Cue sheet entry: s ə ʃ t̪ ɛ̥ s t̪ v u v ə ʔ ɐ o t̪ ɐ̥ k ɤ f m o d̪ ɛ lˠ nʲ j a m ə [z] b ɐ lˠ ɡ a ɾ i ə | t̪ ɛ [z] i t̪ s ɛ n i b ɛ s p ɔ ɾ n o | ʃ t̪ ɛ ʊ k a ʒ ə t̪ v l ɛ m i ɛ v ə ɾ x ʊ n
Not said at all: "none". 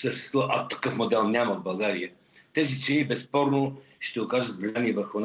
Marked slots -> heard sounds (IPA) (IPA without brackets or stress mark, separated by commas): v, z